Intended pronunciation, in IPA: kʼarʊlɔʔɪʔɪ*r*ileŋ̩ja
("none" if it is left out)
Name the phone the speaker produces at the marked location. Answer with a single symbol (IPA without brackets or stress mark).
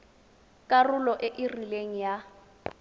r